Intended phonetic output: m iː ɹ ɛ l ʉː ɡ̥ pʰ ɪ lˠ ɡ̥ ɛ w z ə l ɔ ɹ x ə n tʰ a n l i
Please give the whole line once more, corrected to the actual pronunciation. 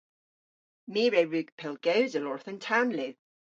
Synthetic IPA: m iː ɹ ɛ ɹ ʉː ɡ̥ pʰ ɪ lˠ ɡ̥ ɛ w z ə l ɔ ɹ θ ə n tʰ a n l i